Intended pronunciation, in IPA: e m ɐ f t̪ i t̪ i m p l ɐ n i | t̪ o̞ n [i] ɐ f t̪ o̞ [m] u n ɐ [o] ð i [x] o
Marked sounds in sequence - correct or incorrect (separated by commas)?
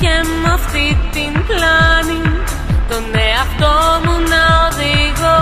incorrect, correct, correct, incorrect